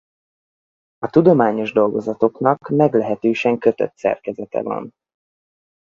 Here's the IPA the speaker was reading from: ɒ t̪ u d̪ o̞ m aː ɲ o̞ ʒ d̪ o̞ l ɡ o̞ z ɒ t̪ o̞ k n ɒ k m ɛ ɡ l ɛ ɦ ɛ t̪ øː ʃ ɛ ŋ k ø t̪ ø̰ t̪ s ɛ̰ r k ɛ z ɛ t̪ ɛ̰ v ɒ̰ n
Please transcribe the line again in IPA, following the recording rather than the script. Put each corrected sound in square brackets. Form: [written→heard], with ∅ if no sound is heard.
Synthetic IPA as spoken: ɒ t̪ u d̪ o̞ m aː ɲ o̞ ʒ d̪ o̞ l ɡ o̞ z ɒ t̪ o̞ k n ɒ k m ɛ ɡ l ɛ ɦ ɛ t̪ øː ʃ ɛ ŋ k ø t̪ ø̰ t̪ s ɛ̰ r k ɛ z ɛ t̪ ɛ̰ v ɒ̰ n